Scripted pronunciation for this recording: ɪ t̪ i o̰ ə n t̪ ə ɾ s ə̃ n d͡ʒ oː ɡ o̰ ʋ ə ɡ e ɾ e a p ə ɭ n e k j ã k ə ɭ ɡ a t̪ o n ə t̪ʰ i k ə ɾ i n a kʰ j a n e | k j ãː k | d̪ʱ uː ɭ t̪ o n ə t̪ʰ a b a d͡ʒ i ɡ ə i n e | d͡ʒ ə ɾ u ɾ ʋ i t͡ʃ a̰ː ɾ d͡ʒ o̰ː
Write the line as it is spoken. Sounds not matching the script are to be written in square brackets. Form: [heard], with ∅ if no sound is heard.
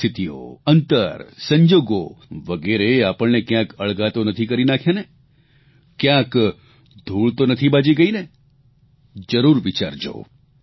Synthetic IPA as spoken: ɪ t̪ i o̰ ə n t̪ ə ɾ s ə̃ [ɲ] d͡ʒ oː ɡ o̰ ʋ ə ɡ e ɾ e a p ə ɭ n e k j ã k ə ɭ ɡ a t̪ o n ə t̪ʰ i k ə ɾ i n a kʰ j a n e | k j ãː k | d̪ʱ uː ɭ t̪ o n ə t̪ʰ [i] b a d͡ʒ i ɡ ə i n e | d͡ʒ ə ɾ u ɾ ʋ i t͡ʃ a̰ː ɾ d͡ʒ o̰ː